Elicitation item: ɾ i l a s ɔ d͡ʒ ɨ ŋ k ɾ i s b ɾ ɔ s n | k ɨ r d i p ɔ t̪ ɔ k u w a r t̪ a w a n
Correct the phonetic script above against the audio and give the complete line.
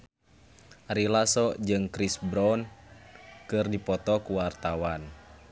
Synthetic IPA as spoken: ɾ i l a s ɔ d͡ʒ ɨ ŋ k ɾ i s b ɾ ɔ n | k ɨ r d i p ɔ t̪ ɔ k u w a r t̪ a w a n